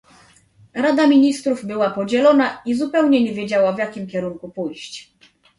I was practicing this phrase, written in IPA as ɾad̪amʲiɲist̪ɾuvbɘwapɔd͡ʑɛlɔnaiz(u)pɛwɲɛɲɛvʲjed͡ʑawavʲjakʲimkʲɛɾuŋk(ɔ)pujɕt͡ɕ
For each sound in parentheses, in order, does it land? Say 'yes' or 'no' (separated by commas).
yes, no